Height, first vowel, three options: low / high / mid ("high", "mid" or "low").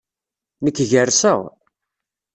mid